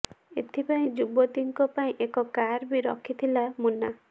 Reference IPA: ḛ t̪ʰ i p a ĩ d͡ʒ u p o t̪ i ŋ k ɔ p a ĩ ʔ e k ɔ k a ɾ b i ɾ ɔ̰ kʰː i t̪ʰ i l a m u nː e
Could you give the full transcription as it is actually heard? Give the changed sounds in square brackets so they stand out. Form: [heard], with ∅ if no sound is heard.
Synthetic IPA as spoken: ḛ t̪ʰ i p a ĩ d͡ʒ u [b] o t̪ i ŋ k ɔ p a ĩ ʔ e k ɔ k a ɾ b i ɾ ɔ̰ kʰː i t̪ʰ i l a m u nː [a]